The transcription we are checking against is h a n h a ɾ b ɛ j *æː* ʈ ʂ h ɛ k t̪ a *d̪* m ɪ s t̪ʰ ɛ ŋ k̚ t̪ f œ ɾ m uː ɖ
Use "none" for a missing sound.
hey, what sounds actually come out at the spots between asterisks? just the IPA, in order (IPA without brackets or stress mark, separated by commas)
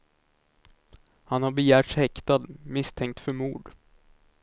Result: æː, d̪